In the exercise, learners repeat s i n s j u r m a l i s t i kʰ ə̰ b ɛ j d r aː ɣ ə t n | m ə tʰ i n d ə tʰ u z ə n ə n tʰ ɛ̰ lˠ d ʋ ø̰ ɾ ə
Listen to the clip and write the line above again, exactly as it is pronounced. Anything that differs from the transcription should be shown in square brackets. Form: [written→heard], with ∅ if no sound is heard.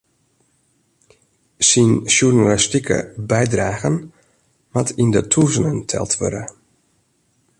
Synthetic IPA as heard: s i n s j u r [m→n] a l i s t i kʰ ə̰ b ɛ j d r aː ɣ ə [t→∅] n | m [ə→a] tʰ i n d ə tʰ u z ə n ə n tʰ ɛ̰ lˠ [d→t] ʋ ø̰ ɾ ə